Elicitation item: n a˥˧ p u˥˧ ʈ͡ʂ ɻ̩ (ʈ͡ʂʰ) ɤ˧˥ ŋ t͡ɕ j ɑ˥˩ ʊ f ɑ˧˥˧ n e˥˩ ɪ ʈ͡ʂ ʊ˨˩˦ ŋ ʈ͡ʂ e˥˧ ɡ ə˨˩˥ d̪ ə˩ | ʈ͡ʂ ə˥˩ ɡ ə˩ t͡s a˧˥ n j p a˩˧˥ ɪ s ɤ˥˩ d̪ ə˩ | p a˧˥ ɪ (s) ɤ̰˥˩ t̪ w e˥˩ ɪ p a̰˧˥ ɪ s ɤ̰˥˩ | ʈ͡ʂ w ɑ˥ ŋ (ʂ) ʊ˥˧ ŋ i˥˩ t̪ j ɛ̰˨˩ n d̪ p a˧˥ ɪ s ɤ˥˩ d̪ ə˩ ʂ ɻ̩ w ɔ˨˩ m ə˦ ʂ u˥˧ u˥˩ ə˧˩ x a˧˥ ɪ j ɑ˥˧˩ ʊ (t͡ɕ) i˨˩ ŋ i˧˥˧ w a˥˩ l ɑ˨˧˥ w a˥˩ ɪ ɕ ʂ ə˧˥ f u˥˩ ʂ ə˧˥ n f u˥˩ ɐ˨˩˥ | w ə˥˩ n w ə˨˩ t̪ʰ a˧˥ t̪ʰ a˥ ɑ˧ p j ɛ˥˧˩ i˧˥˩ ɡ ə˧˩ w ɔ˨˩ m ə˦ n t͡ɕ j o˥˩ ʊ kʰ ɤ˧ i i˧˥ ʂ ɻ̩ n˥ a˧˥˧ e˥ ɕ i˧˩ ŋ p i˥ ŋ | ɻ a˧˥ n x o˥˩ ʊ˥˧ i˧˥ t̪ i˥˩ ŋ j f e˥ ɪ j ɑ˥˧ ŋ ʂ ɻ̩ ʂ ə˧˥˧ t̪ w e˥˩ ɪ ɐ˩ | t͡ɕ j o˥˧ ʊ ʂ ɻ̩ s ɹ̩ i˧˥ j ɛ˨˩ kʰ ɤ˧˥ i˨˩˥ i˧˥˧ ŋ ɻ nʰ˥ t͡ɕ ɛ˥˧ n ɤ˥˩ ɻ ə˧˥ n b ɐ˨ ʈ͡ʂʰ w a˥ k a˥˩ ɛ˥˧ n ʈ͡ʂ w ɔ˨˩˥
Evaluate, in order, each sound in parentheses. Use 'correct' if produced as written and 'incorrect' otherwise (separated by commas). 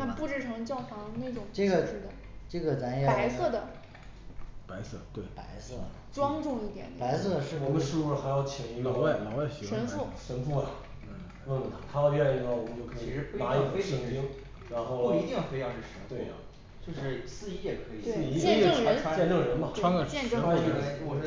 correct, correct, incorrect, incorrect